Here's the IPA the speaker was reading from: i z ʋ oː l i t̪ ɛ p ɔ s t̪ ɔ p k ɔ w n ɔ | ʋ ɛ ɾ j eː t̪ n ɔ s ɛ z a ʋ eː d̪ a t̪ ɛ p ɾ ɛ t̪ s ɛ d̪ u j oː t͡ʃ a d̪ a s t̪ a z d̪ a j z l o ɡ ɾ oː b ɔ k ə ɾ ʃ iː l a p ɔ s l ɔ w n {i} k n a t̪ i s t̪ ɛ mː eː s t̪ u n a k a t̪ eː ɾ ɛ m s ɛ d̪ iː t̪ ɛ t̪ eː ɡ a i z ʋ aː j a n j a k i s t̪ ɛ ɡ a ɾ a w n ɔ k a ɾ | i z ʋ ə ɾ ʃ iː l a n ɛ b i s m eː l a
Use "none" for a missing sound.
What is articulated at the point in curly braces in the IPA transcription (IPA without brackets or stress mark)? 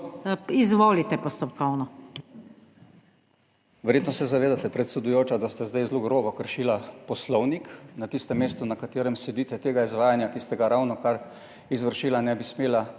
i